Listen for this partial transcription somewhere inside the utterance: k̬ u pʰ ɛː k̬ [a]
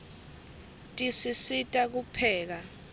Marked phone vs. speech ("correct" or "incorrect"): correct